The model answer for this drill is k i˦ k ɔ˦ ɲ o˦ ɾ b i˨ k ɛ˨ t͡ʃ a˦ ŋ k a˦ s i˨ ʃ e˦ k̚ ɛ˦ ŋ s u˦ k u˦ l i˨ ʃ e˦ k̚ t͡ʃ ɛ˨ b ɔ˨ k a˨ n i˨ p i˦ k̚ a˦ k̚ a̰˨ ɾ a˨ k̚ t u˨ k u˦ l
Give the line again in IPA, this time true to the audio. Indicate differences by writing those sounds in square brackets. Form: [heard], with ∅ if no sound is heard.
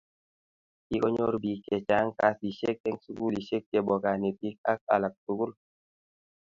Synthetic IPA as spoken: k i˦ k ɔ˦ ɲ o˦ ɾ b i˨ k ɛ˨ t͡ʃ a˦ ŋ k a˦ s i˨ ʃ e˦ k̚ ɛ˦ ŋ s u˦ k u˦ l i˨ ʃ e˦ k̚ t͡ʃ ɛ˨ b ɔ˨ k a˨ n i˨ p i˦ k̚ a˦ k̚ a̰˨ [l] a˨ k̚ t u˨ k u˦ l

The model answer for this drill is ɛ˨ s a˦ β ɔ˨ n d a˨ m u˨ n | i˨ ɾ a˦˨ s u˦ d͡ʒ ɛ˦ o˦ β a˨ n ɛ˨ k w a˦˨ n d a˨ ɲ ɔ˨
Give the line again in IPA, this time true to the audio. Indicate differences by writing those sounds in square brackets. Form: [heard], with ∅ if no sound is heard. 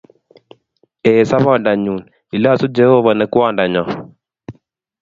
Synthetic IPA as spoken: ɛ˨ s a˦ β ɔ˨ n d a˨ [ɲ] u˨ n | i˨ [l] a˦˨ s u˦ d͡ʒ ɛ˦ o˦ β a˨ n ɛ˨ k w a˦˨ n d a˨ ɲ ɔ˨

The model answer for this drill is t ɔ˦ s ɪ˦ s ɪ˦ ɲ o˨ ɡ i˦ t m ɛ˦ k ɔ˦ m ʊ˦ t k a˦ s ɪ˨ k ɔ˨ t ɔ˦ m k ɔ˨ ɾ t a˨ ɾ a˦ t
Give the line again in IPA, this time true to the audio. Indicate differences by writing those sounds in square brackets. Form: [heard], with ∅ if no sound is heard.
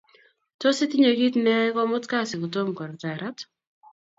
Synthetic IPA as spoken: t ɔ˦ s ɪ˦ [t] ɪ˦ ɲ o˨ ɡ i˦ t [n] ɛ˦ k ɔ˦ m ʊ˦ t k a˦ s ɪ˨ k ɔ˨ t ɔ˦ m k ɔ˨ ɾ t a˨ ɾ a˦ t

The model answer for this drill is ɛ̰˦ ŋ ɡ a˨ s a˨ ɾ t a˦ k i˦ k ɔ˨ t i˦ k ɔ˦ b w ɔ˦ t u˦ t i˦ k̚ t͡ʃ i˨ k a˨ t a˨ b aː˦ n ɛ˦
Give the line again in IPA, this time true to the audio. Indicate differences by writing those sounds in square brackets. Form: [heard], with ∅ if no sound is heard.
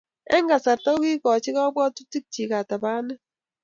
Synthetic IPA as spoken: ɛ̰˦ ŋ ɡ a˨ s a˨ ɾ t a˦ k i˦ k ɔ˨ [t͡ʃ] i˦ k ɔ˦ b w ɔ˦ t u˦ t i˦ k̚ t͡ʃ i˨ k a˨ t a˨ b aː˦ n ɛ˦

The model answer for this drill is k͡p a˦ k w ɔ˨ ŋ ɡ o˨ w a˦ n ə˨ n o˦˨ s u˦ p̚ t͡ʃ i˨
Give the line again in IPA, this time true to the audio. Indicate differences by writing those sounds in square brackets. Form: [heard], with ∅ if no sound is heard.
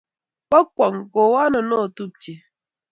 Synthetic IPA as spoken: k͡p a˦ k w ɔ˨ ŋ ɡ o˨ w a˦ n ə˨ n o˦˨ [t] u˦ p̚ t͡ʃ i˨

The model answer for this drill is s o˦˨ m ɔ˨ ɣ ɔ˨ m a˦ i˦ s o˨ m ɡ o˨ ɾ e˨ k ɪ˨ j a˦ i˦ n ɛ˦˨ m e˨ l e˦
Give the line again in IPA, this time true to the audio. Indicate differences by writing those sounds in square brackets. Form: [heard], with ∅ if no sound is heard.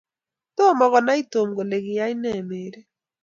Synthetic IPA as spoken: [t] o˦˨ m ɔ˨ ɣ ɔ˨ [n] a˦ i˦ [t] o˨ m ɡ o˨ [l] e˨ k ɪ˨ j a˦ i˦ n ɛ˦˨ m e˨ [ɾ] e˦

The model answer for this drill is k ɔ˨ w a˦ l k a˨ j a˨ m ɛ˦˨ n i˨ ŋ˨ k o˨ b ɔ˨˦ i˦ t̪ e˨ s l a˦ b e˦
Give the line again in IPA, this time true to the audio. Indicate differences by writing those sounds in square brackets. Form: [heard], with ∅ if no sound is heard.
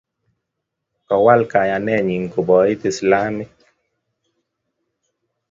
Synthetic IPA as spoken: k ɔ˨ w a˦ l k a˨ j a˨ [n] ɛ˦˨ [ɲ] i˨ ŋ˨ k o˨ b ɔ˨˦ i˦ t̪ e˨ s l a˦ [m] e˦

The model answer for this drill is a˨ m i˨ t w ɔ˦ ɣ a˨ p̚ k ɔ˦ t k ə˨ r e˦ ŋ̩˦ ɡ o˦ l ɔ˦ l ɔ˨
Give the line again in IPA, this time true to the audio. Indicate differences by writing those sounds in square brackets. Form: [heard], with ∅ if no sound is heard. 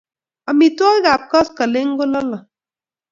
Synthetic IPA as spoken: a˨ m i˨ t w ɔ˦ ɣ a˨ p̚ k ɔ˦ [s] k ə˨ [l] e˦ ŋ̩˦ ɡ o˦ l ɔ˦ l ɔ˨

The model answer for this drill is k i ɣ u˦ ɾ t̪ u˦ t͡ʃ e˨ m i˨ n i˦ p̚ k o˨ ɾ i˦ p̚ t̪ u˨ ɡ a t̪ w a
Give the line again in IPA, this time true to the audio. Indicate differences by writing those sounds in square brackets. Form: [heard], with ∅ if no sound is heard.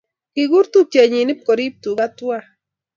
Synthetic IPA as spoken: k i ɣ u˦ ɾ t̪ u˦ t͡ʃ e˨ [ɲ] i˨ n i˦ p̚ k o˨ ɾ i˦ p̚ t̪ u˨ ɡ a t̪ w a

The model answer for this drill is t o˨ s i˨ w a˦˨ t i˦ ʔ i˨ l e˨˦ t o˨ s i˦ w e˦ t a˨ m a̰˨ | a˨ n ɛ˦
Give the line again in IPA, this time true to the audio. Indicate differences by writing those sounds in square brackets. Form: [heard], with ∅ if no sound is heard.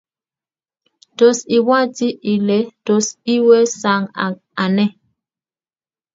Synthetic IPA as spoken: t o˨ s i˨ w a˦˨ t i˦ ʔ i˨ l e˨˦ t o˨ s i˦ w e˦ [s] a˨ [ŋ] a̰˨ | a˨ n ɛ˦

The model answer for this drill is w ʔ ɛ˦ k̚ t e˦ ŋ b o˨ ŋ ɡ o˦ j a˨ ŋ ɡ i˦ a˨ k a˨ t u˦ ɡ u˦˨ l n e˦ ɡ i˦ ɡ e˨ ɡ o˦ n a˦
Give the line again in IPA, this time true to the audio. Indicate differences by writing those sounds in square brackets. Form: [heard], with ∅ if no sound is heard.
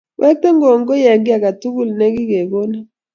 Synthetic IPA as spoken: w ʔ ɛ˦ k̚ t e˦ ŋ [ɡ] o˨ ŋ ɡ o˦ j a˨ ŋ ɡ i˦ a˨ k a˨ t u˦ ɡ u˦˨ l n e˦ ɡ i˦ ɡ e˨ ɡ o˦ n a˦

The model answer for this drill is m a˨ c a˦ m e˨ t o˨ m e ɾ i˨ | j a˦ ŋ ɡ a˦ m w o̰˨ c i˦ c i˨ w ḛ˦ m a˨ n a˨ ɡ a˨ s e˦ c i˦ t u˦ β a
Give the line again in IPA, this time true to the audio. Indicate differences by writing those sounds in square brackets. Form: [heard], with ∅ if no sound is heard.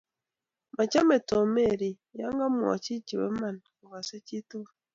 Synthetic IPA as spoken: m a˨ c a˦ m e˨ t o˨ m e ɾ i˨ | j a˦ ŋ ɡ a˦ m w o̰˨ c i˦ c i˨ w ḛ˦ m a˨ n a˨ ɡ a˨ s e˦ c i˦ t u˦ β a

